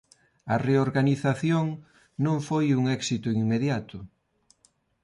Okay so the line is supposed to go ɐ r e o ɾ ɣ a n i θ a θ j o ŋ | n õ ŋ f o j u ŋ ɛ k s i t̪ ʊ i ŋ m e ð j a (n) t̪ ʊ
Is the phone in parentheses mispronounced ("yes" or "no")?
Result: yes